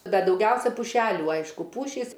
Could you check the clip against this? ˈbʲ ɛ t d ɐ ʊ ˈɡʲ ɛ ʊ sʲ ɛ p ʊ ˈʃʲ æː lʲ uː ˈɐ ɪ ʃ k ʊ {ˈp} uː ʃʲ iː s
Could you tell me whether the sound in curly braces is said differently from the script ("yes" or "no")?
no